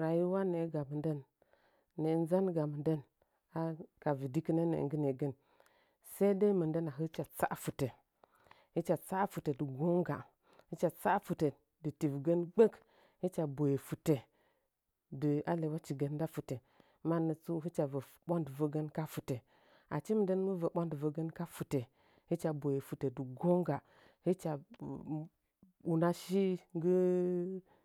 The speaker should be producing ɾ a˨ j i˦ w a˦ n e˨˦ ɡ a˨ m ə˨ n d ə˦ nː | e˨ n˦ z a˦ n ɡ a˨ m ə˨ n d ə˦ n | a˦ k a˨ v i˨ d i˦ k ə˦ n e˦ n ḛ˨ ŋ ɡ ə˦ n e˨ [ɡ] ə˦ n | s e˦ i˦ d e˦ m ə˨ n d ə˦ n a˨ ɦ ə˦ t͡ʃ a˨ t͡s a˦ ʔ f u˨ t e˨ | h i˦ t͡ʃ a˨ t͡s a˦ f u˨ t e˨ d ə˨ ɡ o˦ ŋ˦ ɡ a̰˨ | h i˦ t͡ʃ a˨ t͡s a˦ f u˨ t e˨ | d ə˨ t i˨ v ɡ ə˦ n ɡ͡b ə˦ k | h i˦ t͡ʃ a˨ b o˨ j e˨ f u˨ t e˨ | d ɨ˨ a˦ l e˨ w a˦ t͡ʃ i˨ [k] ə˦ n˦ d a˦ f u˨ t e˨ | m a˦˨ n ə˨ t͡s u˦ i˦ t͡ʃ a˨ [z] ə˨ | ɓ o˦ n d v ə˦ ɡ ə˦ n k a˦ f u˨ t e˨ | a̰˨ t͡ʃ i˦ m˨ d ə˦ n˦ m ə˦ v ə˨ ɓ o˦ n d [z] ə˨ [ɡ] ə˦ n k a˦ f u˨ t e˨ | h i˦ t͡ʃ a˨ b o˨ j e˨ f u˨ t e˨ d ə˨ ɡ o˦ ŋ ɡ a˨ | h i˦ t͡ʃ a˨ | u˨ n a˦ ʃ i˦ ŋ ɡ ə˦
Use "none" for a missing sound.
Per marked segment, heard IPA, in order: ɡ, ɡ, v, v, ɡ

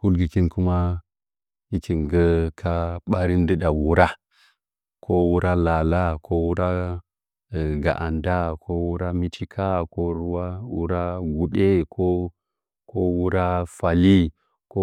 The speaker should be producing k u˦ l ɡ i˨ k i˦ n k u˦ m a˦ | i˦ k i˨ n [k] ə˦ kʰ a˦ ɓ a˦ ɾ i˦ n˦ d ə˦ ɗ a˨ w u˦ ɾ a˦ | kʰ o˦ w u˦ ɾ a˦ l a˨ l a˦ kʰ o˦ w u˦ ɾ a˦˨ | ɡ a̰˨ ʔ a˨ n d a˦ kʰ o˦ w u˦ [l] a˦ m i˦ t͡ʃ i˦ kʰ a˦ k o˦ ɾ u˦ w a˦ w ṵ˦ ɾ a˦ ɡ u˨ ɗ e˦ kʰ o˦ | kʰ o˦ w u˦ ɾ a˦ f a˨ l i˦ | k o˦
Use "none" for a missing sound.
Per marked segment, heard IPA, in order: ɡ, ɾ

